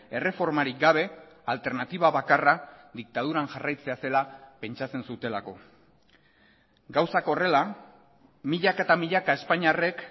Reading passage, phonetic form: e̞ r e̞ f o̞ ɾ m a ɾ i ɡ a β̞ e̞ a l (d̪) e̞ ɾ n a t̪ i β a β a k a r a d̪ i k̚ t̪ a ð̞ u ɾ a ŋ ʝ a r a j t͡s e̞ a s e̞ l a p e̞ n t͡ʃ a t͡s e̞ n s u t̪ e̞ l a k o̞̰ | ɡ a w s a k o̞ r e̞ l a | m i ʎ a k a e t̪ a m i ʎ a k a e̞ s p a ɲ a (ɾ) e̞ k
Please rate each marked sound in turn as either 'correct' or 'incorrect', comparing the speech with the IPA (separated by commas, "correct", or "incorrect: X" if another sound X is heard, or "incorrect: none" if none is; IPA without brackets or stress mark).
incorrect: t̪, incorrect: r